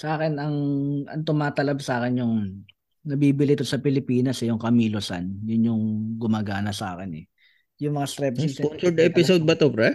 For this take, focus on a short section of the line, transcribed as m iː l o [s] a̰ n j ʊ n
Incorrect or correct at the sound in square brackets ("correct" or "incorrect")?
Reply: correct